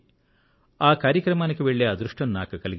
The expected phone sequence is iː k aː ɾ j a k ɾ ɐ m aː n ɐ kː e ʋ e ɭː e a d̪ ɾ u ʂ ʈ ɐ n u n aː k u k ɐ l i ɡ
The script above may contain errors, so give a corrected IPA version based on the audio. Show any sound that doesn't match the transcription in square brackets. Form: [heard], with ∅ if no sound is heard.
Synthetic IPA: [aː] k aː ɾ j [ɐ] k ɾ ɐ m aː n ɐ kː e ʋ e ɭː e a d̪ ɾ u ʂ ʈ ɐ n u n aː k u k ɐ l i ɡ